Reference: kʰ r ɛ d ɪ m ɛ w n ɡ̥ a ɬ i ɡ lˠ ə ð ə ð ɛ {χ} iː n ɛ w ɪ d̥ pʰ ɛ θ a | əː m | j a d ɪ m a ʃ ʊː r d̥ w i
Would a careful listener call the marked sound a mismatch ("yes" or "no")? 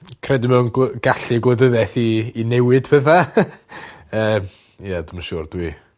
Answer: yes